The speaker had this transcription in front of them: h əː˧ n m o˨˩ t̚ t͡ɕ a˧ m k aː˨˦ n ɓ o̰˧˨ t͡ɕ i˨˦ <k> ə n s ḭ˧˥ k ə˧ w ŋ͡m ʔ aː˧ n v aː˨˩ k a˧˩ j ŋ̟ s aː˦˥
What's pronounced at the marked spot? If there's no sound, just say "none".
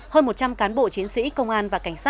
none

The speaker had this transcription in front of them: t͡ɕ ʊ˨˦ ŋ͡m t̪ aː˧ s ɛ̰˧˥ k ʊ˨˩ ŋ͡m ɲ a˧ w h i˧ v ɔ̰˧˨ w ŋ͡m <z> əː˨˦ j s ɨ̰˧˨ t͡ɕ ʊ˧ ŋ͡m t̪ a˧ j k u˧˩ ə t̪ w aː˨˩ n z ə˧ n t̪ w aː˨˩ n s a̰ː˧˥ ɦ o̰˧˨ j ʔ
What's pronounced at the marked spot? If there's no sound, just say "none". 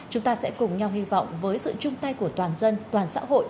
v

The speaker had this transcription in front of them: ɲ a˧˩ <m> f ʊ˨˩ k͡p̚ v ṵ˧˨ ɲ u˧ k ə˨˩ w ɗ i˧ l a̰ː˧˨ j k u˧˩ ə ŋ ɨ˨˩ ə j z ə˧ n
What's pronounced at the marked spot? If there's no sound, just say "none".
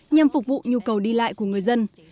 m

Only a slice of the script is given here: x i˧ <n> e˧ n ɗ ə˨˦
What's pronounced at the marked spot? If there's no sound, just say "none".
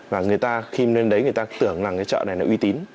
n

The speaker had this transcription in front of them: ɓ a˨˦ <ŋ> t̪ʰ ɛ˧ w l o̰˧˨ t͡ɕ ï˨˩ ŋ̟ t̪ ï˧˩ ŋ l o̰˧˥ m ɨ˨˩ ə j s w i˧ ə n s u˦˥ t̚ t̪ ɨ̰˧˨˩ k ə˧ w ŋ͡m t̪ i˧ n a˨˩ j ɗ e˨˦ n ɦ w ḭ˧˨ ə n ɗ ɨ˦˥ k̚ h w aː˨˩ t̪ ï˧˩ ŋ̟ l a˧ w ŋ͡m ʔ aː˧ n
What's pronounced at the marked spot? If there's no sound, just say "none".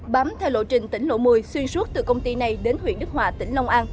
m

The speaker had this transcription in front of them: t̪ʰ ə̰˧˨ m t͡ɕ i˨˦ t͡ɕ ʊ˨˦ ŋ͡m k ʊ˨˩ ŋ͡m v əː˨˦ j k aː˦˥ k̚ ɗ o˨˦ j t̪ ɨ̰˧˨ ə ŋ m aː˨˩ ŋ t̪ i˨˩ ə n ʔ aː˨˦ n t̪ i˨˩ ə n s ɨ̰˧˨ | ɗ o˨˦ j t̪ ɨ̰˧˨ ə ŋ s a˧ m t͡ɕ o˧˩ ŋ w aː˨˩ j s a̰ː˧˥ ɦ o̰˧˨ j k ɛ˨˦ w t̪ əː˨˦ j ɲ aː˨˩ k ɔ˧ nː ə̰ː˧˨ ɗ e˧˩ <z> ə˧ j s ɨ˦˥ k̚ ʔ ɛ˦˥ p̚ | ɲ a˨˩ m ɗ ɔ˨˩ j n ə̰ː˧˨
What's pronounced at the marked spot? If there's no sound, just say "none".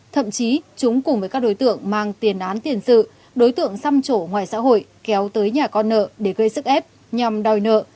ɣ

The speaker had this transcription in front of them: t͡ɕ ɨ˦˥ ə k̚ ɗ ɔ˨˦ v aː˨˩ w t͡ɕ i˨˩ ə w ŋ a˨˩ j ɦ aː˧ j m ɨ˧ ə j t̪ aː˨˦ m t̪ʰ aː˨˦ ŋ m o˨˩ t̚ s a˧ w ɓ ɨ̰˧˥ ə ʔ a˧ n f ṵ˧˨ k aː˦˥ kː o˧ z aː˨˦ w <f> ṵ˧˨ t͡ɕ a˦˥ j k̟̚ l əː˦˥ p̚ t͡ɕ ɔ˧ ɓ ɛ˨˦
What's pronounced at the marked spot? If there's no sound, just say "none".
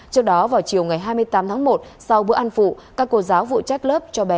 v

